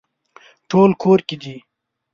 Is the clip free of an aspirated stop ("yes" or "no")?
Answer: no